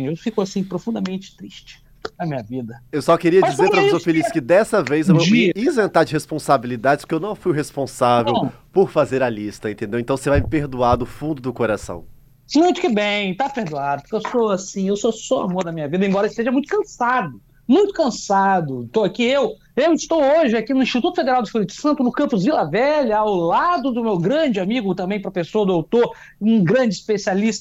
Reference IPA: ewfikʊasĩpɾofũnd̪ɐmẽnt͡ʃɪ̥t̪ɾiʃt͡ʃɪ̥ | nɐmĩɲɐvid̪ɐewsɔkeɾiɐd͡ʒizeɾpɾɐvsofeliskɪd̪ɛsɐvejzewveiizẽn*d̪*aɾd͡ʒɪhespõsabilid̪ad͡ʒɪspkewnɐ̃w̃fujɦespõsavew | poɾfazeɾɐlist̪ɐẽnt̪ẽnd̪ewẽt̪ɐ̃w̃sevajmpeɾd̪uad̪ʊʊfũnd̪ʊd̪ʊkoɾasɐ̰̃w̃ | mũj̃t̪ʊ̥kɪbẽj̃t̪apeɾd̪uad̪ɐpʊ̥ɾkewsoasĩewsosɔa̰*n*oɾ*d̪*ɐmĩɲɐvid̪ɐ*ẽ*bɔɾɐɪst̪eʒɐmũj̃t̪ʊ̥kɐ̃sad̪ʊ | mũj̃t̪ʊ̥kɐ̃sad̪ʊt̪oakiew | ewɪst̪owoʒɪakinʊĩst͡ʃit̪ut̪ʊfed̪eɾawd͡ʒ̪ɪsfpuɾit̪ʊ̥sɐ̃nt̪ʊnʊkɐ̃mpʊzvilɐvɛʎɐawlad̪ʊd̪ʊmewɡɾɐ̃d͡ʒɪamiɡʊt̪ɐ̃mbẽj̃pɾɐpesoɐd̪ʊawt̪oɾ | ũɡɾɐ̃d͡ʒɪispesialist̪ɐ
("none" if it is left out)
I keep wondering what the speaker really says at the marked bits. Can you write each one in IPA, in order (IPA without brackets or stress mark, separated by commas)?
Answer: t̪, m, d̪, ẽ